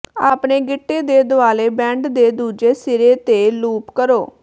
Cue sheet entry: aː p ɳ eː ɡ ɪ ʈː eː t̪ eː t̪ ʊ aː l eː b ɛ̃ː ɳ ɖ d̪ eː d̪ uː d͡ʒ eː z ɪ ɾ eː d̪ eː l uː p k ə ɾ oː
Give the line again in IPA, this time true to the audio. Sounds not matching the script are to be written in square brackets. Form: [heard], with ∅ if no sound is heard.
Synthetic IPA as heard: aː p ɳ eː ɡ ɪ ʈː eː [d̪] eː [d̪] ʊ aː l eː b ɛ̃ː ɳ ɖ d̪ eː d̪ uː d͡ʒ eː [s] ɪ ɾ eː [t̪] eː l uː p k ə ɾ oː